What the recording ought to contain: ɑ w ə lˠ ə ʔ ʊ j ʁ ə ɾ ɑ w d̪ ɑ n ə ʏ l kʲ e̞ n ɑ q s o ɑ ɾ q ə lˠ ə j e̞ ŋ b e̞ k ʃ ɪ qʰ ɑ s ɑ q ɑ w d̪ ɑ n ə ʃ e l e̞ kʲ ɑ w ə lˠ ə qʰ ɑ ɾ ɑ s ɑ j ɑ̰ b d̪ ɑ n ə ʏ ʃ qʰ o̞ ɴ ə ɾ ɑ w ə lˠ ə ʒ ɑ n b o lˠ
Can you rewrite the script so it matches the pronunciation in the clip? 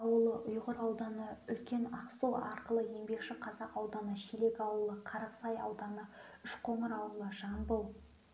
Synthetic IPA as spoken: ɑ w ə lˠ ə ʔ ʊ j ʁ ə ɾ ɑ w d̪ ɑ n ə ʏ l kʲ e̞ n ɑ q s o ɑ ɾ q ə lˠ ə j e̞ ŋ b e̞ k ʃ ɪ qʰ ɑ z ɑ q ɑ w d̪ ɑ n ə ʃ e l e̞ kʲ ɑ w ə lˠ ə qʰ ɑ ɾ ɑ s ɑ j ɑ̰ w d̪ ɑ n ə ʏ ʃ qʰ o̞ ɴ ə ɾ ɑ w ə lˠ ə ʒ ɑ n b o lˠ